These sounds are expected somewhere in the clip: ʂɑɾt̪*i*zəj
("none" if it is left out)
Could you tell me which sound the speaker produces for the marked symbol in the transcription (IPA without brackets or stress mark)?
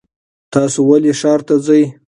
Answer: a